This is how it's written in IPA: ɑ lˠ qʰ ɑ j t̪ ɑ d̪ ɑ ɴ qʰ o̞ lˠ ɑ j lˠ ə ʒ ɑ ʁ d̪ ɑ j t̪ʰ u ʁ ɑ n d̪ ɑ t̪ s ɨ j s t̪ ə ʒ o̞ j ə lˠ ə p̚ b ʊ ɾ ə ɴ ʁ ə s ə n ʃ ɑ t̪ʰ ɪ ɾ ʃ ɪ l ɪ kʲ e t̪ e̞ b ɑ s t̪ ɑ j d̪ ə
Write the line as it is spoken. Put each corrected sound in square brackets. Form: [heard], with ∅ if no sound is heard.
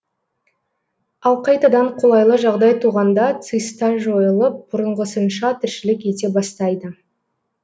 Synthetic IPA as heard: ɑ lˠ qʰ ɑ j t̪ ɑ d̪ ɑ ɴ qʰ o̞ lˠ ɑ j lˠ ə ʒ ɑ ʁ d̪ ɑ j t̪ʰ u ʁ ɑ n d̪ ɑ t̪ s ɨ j s t̪ [ɑ] ʒ o̞ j ə lˠ ə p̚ b ʊ ɾ ə ɴ ʁ ə s ə n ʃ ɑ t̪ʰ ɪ ɾ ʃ ɪ l ɪ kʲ e t̪ e̞ b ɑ s t̪ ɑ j d̪ ə